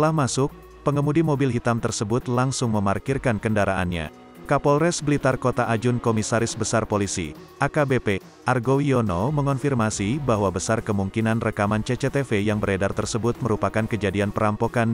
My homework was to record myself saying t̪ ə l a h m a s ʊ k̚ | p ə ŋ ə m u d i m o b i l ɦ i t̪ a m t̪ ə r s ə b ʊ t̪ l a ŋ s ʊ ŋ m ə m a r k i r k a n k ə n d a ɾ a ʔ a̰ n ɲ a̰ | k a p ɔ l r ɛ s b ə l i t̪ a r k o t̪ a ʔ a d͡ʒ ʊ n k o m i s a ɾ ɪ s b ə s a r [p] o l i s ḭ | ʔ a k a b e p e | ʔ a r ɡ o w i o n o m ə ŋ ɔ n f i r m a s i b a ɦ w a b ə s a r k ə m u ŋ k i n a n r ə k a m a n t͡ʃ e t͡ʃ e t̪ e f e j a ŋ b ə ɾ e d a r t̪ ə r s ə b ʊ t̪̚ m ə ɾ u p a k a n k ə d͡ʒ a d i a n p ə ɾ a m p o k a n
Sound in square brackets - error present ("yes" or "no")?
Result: no